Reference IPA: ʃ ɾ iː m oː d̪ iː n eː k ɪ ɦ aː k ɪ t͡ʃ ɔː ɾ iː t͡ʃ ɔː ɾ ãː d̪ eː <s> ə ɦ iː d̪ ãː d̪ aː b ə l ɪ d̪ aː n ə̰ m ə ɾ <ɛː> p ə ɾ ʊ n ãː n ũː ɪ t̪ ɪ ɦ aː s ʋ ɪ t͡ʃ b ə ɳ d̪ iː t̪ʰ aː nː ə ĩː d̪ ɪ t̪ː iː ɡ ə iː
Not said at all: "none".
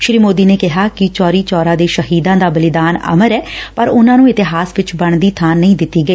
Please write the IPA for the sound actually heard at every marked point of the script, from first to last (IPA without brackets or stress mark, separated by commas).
ʃ, ɛː